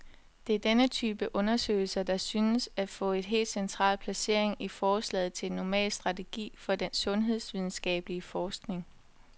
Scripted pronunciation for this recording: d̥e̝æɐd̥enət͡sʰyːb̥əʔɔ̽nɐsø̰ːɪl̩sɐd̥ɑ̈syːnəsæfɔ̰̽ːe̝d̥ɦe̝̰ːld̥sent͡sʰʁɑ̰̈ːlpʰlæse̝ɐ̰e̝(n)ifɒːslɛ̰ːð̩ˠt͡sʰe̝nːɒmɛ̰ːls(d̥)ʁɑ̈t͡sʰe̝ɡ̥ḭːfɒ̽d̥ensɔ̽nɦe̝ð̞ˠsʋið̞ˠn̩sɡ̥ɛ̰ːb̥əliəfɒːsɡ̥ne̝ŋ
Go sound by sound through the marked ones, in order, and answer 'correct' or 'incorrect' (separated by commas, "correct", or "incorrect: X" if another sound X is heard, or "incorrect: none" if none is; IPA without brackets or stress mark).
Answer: incorrect: ŋ, correct